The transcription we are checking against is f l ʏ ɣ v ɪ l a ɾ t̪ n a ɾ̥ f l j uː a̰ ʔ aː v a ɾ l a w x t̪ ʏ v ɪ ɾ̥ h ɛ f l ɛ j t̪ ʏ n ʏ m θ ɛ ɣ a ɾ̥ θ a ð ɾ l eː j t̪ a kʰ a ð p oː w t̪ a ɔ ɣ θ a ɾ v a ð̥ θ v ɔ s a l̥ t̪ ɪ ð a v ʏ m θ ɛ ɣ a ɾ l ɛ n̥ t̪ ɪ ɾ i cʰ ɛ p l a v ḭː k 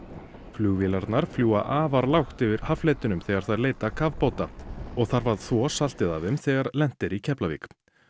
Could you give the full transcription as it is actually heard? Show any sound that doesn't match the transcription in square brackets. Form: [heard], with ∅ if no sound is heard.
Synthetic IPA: f l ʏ ɣ v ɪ l a ɾ t̪ n a ɾ̥ f l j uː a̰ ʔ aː v a ɾ l a w x t̪ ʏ v ɪ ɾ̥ h [a] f l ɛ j t̪ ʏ n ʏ m θ ɛ ɣ a ɾ̥ θ a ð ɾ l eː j t̪ a kʰ a [v] p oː w t̪ a ɔ ɣ θ a ɾ v a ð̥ θ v ɔ s a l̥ t̪ ɪ ð a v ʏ m θ ɛ ɣ a ɾ l ɛ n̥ t̪ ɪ ɾ i cʰ ɛ p l a v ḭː k